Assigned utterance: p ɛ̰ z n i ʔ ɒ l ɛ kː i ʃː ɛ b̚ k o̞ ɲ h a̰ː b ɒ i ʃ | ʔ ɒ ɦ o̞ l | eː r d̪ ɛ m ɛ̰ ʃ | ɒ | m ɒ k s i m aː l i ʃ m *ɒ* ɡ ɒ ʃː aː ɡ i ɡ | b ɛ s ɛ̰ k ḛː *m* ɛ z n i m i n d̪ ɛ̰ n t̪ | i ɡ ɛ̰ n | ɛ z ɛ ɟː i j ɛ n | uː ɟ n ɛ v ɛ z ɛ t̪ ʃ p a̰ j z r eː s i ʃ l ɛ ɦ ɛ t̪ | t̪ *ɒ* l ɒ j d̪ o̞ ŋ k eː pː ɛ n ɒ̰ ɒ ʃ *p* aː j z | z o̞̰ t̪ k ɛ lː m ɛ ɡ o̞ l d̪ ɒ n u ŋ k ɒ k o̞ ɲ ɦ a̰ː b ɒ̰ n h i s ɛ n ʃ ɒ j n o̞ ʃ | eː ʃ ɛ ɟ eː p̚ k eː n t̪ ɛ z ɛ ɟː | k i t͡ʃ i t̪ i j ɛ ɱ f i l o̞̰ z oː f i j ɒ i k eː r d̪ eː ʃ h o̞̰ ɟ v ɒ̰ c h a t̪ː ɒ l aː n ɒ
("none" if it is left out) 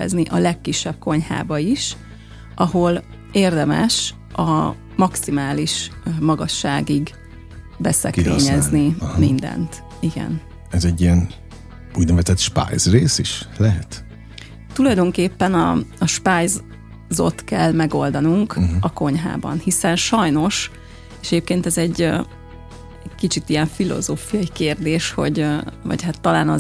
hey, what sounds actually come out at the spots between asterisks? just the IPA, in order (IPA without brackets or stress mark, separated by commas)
ɒ, ɲ, u, p